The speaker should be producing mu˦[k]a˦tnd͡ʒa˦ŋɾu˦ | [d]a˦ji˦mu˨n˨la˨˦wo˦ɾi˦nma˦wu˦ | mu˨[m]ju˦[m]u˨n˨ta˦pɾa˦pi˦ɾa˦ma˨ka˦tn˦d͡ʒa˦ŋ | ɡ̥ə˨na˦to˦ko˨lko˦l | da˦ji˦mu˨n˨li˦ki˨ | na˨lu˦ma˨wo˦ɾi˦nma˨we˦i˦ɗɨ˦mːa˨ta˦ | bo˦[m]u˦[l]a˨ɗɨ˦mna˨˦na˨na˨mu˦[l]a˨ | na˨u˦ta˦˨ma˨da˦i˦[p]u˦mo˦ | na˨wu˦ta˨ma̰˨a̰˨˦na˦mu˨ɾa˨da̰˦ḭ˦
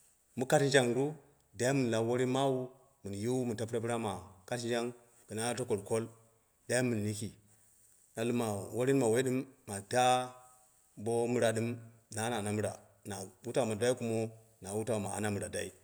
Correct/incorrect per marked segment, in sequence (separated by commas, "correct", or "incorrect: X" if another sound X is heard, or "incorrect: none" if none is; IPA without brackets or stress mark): correct, correct, incorrect: n, correct, correct, incorrect: ɾ, incorrect: ɾ, incorrect: k